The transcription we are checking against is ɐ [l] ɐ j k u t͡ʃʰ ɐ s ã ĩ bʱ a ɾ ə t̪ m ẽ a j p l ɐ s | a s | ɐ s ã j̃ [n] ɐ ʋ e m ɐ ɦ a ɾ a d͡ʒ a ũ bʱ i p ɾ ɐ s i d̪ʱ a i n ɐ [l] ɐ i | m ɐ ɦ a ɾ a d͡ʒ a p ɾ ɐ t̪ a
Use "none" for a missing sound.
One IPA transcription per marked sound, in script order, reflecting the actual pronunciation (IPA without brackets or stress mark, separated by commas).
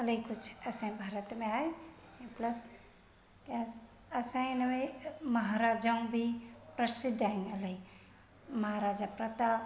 l, n, l